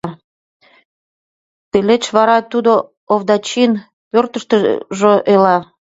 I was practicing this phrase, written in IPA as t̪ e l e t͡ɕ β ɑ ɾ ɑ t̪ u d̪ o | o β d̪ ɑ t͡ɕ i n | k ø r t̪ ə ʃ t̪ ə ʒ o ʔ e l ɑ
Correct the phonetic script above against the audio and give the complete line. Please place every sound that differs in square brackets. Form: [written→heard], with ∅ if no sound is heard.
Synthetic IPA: t̪ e l e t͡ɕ β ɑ ɾ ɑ t̪ u d̪ o | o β d̪ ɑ t͡ɕ i n | [k→p] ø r t̪ ə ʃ t̪ ə ʒ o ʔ e l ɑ